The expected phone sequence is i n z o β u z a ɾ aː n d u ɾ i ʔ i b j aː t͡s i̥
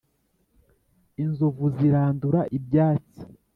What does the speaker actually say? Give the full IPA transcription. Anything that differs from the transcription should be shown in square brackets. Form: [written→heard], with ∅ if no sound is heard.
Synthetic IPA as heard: i n z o [β→v] u z [a→i] ɾ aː n d u ɾ [i→a] ʔ i b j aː t͡s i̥

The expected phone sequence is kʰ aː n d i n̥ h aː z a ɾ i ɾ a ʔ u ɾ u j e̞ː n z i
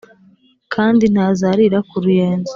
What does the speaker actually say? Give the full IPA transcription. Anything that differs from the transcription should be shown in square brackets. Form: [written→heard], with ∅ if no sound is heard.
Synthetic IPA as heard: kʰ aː n d i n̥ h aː z a ɾ i ɾ a [ʔ→k] u ɾ u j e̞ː n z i

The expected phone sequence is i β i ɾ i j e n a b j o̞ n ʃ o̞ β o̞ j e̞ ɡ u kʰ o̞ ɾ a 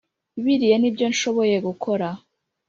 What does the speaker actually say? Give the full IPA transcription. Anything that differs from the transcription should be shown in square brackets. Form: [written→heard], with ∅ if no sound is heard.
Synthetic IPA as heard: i β i ɾ i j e n [a→i] b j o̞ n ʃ o̞ β o̞ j e̞ ɡ u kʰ o̞ ɾ a

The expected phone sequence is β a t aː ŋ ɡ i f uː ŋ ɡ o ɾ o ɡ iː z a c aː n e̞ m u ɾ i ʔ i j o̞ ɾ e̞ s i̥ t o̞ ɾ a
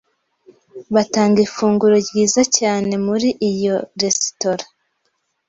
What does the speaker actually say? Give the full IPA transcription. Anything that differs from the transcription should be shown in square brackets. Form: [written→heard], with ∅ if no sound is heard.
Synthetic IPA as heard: β a t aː ŋ ɡ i f uː ŋ ɡ [o→u] ɾ o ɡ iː z a c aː n e̞ m u ɾ i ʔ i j o̞ ɾ e̞ s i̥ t o̞ ɾ a

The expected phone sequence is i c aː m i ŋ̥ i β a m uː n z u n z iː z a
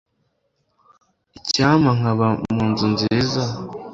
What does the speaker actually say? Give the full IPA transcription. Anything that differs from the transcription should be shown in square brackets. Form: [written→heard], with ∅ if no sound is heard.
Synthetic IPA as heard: i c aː m [i→a] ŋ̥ [i→a] β a m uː n z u n z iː z a

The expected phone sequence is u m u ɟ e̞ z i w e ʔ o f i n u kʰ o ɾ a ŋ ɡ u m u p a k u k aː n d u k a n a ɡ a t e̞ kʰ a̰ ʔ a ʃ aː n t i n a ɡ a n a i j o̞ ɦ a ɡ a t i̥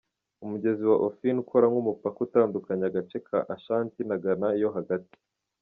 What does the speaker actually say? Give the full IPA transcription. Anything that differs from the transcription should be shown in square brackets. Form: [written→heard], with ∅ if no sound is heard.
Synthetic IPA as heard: u m u ɟ e̞ z i w [e→a] ʔ o f i n u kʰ o ɾ a ŋ ɡ u m u p a k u [k→t] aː n d u k a [n→ɲ] a ɡ a [t→t͡ʃ] e̞ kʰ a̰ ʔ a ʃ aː n t i n a ɡ a n a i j o̞ ɦ a ɡ a t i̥

